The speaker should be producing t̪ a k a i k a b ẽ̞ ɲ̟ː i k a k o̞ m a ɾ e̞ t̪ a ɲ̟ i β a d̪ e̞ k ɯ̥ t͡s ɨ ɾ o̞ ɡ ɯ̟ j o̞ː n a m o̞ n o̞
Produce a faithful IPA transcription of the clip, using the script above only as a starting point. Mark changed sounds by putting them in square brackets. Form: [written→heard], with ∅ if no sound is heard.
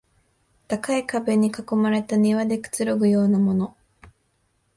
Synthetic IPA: t̪ a k a i k a b [ẽ̞→e̞] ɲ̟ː i k a k o̞ m a ɾ e̞ t̪ a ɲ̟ i β a d̪ e̞ k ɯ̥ t͡s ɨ ɾ o̞ ɡ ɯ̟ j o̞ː n a m o̞ n o̞

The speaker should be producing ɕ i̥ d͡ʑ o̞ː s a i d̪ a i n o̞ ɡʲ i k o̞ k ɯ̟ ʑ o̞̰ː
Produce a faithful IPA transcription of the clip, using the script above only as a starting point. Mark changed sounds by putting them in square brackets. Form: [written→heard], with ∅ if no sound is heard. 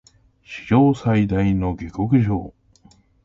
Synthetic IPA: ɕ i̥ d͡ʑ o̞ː s a i d̪ a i n o̞ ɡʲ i k o̞ k ɯ̟ ʑ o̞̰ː

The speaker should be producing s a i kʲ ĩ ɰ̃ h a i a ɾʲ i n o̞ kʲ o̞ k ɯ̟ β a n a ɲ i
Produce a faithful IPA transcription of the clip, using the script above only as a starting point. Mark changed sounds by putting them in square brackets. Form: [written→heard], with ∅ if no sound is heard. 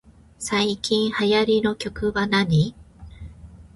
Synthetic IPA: s a i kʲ ĩ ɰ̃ h a [i→j] a ɾʲ i n o̞ kʲ o̞ k ɯ̟ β a n a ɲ i

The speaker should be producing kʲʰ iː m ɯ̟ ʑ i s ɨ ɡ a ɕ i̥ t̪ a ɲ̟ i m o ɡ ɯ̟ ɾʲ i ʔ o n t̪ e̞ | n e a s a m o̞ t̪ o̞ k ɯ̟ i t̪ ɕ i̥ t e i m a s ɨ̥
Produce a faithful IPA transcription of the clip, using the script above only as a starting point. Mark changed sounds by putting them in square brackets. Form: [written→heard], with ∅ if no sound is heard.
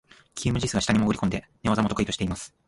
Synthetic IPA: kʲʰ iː m ɯ̟ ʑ i s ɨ ɡ a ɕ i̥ t̪ a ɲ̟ i m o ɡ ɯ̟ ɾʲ i [ʔ→k] o n [t̪→d̪] e̞ | n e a [s→z] a m o̞ t̪ o̞ k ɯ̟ i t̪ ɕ i̥ t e i m a s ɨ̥

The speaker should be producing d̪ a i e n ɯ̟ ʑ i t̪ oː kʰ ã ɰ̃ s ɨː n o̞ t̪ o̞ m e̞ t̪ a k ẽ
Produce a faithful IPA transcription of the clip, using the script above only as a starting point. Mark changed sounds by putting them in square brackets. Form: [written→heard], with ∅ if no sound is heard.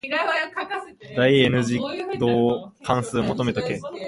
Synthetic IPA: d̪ a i e n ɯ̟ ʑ i [t̪→d̪] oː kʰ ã ɰ̃ s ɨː [n→m] o̞ t̪ o̞ m e̞ t̪ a k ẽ

